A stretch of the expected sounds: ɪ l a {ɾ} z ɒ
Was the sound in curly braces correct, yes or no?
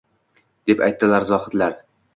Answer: yes